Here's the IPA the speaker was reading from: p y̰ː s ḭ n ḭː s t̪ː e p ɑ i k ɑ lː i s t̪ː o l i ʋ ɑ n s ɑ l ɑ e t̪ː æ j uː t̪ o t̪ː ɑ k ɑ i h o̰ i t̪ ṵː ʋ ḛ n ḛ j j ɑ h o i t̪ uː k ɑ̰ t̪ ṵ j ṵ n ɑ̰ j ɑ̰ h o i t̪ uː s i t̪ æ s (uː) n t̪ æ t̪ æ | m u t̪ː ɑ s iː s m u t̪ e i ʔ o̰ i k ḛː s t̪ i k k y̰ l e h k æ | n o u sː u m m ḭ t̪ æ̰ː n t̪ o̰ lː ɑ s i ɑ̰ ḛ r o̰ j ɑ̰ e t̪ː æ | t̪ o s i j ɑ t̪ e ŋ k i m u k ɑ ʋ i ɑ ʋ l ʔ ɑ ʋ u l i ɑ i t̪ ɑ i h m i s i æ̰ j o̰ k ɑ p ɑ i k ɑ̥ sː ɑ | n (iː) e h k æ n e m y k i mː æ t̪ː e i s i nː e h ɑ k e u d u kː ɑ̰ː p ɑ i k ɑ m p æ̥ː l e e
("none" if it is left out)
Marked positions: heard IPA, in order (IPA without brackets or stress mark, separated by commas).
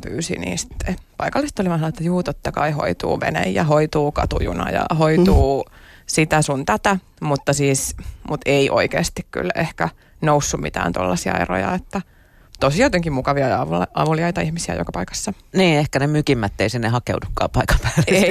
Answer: u, iː